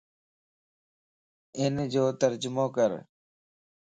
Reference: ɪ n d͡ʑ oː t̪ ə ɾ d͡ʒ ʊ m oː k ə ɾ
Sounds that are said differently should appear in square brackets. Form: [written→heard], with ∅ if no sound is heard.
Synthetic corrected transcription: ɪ n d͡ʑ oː t̪ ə ɾ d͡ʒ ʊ m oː k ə ɾ